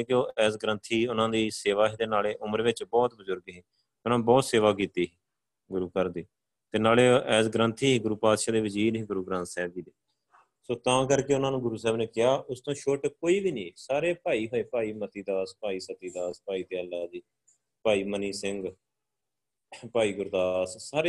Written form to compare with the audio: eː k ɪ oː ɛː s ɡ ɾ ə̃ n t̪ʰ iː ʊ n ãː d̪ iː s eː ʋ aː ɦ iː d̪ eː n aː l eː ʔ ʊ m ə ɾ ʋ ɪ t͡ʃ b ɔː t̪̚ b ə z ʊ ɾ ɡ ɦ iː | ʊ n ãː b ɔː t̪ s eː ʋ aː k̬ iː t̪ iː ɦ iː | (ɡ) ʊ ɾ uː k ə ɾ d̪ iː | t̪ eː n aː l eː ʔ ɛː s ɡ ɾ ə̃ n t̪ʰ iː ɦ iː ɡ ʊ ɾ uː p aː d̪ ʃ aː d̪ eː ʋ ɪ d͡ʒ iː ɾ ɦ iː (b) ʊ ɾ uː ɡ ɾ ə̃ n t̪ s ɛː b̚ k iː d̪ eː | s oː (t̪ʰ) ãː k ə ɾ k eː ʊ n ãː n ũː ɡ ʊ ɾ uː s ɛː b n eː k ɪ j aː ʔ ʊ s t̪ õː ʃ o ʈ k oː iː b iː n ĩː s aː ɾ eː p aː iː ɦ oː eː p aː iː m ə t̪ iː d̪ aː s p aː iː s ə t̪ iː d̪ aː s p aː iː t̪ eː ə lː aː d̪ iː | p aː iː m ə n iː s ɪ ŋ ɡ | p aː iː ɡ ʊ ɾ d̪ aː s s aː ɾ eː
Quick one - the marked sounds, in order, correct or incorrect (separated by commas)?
correct, incorrect, incorrect